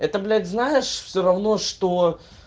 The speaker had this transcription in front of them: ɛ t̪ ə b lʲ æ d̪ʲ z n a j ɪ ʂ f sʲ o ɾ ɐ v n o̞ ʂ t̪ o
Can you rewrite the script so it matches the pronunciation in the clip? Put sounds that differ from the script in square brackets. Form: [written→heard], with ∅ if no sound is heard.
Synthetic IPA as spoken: ɛ t̪ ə b lʲ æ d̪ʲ z n a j ɪ ʂ f sʲ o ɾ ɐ v n o̞ ʂ t̪ o